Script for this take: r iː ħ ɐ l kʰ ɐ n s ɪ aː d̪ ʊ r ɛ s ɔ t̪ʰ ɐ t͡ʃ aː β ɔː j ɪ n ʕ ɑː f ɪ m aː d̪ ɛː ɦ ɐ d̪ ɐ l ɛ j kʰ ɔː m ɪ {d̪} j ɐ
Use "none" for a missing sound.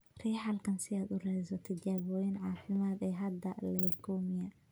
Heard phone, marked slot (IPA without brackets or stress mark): none